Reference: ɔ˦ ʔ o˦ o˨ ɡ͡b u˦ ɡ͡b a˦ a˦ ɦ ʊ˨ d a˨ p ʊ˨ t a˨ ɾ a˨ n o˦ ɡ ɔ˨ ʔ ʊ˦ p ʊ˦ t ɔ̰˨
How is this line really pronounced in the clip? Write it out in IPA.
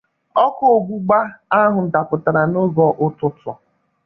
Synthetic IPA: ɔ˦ k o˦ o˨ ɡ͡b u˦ ɡ͡b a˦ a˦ ɦ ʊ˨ d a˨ p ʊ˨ t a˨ ɾ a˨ n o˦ ɡ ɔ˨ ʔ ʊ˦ t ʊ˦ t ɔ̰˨